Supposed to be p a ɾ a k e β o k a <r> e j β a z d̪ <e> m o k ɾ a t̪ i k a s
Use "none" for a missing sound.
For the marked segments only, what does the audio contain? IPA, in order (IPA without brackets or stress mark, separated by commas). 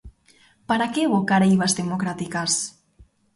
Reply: ɾ, e